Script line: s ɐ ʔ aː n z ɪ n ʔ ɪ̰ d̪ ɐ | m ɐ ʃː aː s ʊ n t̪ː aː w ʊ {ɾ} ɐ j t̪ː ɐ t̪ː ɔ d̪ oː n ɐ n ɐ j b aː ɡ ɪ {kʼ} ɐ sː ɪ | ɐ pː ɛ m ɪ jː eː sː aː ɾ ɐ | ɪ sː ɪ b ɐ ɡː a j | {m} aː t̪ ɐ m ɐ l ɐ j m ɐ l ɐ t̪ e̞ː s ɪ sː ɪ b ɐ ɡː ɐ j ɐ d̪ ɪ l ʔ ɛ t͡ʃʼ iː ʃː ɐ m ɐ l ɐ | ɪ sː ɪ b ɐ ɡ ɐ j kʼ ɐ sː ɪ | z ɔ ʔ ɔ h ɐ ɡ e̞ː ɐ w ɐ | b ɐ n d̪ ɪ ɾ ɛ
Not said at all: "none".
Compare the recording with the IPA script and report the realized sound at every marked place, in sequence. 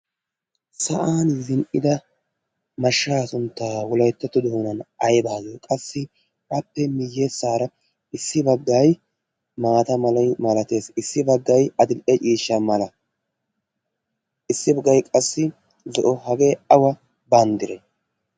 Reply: l, kʼ, m

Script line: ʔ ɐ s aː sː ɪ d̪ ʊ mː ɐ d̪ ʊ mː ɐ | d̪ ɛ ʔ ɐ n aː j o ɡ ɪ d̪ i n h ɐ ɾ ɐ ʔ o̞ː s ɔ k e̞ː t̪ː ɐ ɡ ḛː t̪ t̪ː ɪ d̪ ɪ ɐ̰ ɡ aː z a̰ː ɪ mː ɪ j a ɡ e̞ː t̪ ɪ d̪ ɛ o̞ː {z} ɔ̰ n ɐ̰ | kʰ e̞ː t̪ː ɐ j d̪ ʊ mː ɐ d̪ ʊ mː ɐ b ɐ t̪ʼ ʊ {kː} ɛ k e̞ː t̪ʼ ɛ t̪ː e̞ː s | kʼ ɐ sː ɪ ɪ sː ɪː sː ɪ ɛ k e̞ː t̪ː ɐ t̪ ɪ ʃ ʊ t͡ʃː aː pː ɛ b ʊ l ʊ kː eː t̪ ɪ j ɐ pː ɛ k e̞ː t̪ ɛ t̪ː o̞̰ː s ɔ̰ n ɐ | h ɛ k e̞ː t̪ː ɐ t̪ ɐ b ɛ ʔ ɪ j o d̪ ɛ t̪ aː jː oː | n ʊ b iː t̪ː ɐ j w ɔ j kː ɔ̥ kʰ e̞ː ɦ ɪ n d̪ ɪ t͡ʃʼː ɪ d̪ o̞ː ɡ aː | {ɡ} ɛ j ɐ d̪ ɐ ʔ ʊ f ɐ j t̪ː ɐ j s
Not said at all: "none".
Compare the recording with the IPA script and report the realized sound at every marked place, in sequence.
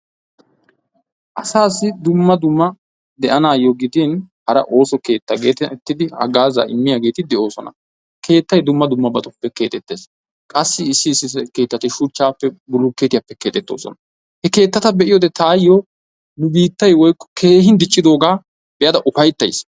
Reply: s, pː, b

